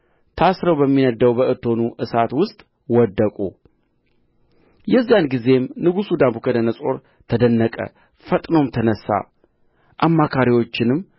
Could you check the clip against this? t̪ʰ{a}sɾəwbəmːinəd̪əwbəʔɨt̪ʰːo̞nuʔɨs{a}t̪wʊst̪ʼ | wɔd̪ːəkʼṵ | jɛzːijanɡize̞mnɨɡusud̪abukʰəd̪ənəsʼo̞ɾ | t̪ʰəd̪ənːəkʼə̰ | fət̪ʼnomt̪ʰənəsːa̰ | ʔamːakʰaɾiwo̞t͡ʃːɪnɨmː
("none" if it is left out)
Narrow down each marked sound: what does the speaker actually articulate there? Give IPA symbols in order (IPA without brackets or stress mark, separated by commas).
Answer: a, a